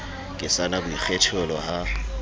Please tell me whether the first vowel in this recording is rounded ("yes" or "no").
no